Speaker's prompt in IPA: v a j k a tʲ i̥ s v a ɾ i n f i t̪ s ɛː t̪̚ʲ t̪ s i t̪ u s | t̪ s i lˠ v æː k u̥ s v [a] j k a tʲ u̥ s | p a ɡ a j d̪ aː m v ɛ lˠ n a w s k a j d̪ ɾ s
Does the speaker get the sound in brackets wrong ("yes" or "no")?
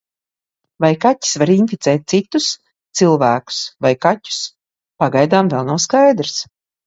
no